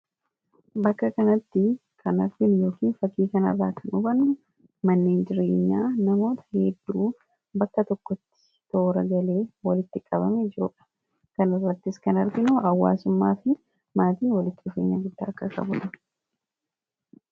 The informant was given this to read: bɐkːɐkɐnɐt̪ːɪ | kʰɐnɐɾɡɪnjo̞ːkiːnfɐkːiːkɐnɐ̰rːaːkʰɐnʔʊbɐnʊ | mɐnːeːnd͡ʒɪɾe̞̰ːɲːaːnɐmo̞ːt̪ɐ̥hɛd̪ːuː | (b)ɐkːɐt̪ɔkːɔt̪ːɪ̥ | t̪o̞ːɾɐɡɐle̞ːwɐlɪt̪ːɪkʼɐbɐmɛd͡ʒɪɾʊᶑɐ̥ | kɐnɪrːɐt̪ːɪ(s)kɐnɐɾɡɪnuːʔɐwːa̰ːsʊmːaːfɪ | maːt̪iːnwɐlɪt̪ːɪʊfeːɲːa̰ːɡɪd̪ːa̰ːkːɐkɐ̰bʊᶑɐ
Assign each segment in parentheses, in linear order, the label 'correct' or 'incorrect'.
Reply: correct, correct

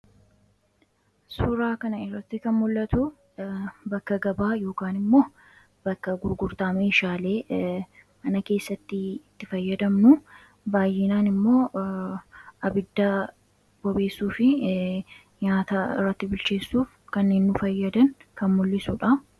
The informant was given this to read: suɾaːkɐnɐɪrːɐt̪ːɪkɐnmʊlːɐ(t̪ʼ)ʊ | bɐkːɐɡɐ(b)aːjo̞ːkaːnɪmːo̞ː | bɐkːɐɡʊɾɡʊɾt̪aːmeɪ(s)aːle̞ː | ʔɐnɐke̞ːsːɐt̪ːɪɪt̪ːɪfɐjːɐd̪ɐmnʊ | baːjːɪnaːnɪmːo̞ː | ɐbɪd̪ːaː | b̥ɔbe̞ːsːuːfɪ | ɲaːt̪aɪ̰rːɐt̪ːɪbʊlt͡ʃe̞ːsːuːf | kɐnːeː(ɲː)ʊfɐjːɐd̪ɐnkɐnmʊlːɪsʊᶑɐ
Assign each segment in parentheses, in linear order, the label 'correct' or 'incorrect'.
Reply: incorrect, correct, incorrect, incorrect

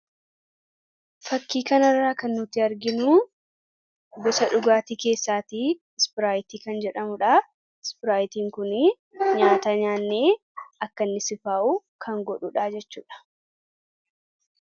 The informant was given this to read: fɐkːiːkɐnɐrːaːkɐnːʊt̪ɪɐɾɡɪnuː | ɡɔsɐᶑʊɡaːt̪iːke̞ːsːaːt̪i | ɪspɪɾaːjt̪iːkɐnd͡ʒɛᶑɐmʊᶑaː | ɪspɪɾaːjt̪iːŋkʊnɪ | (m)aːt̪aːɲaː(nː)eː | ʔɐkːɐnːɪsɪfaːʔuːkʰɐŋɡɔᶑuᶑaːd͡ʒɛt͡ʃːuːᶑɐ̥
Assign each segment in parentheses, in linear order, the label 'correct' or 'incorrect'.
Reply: incorrect, correct

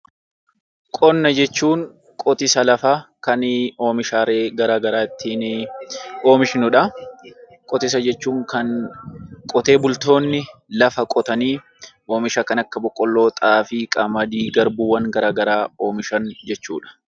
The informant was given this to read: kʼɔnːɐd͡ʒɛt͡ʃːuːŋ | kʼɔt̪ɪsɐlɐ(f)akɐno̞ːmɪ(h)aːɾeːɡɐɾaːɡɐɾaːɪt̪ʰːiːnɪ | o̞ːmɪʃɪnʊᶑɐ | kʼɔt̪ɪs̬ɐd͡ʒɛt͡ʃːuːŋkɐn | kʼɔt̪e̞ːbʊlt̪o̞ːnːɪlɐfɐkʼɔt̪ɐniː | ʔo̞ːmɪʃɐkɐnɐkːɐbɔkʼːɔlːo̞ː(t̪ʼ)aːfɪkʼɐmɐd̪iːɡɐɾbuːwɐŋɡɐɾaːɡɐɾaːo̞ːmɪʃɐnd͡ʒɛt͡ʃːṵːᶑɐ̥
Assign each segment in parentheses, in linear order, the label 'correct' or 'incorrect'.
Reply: correct, incorrect, correct

